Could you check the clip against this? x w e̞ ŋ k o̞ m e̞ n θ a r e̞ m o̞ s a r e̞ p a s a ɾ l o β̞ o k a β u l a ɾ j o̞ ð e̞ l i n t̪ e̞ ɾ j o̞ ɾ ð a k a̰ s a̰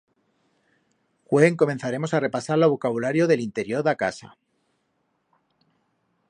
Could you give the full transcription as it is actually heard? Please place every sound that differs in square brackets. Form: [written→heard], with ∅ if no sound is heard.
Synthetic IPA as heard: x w e̞ ŋ k o̞ m e̞ n θ a [r→ɾ] e̞ m o̞ s a r e̞ p a s a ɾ l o β̞ o k a β u l a ɾ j o̞ ð e̞ l i n t̪ e̞ ɾ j o̞ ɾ ð a k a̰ s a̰